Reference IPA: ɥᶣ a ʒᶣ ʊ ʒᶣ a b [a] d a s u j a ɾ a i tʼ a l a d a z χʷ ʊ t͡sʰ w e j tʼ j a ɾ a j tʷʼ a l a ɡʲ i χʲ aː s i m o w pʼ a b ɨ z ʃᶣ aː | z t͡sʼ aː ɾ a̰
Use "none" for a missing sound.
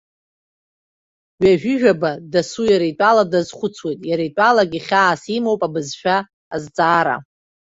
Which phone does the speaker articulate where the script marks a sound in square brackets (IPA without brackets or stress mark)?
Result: a